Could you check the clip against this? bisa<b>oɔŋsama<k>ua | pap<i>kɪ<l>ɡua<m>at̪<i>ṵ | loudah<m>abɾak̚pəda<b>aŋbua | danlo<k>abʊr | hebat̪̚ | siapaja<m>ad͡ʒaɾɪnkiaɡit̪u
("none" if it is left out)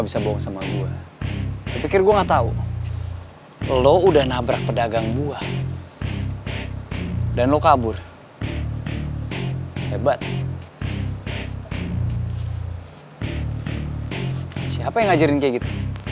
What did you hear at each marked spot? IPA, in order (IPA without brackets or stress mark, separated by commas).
b, ɡ, i, r, ŋ, a, n, ɡ, k, ŋ